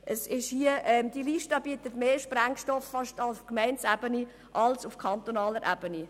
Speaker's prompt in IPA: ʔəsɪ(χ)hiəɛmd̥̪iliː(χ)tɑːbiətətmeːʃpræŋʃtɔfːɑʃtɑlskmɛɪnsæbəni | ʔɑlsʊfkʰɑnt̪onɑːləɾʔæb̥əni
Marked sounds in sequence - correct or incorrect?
incorrect: ʃ, incorrect: ʃ

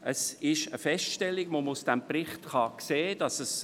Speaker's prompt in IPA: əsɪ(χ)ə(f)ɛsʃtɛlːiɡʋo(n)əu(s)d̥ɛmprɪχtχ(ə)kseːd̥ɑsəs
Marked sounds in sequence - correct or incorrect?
incorrect: ʃ, correct, incorrect: m, correct, incorrect: ɑ

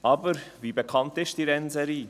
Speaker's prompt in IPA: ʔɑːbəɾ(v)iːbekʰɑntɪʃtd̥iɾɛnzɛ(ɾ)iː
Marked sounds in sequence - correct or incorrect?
correct, correct

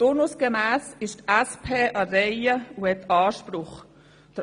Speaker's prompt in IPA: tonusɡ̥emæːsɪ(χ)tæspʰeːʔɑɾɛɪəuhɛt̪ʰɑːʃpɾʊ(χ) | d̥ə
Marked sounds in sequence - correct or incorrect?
incorrect: ʃ, correct

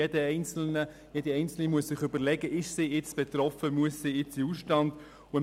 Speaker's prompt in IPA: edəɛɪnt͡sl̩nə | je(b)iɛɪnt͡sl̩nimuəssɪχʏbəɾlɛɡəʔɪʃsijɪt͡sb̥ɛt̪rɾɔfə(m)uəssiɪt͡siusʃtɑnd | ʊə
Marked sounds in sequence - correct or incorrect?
incorrect: d, correct

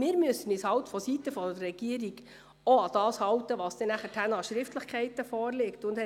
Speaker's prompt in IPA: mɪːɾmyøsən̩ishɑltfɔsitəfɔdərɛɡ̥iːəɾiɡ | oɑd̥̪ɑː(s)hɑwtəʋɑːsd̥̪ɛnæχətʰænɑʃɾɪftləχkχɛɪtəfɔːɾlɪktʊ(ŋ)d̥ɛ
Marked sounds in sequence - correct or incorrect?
correct, incorrect: n

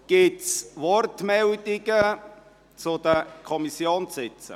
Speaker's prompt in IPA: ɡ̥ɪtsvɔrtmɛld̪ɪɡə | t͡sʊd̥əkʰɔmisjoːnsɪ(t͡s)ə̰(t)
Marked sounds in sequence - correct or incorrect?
correct, incorrect: none

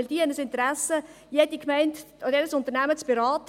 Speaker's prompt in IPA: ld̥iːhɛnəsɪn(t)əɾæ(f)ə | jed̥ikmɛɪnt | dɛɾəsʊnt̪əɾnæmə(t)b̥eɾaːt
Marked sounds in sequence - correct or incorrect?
correct, incorrect: s, incorrect: t͡s

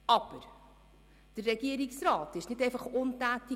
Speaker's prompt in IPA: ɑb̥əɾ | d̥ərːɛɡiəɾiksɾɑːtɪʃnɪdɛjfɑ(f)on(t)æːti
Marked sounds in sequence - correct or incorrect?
incorrect: χ, correct

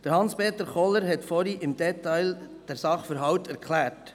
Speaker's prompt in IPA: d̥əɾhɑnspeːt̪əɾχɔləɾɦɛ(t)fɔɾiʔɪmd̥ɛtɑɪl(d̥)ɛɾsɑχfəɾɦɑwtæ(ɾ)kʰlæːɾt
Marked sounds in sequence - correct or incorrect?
correct, correct, correct

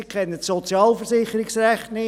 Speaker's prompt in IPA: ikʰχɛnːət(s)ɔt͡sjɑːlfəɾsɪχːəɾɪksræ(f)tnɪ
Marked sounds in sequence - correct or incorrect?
correct, incorrect: χ

